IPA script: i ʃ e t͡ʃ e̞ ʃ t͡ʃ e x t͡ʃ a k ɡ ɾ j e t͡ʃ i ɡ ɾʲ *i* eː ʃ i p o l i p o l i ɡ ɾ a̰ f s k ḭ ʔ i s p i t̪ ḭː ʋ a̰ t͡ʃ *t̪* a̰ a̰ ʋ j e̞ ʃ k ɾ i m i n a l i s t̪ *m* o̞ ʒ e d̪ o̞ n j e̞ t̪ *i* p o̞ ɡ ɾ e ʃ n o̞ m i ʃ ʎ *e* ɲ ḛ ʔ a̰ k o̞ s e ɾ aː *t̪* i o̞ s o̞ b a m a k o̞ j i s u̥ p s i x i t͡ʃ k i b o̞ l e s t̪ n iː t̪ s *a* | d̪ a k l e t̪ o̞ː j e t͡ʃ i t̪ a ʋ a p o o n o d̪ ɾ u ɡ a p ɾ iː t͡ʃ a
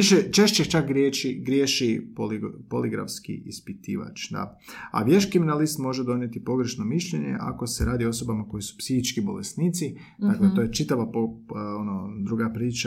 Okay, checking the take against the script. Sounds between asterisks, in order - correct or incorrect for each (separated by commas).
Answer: incorrect, incorrect, correct, correct, correct, incorrect, incorrect